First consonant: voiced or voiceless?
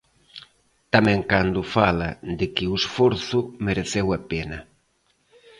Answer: voiceless